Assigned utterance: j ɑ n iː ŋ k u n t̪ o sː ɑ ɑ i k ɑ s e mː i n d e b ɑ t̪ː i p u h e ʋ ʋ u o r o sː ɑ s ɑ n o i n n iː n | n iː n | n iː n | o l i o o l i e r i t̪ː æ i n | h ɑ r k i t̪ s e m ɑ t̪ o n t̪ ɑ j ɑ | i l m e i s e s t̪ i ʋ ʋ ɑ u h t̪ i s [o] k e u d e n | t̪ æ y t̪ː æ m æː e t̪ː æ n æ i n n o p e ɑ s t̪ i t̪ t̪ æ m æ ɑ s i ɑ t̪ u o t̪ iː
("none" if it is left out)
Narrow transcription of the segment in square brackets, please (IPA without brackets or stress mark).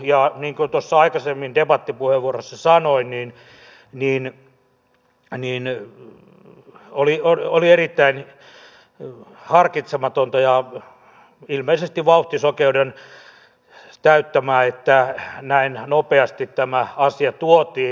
o